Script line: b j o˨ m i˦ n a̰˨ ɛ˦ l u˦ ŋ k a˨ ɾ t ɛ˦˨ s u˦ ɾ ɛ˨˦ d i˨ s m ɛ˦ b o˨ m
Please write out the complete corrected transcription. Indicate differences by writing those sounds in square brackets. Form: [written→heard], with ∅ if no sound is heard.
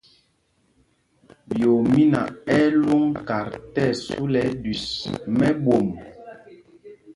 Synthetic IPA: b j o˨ m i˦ n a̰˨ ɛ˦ l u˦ ŋ k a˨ ɾ t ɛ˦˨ s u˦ [ɾ→l] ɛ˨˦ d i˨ s m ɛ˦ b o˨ m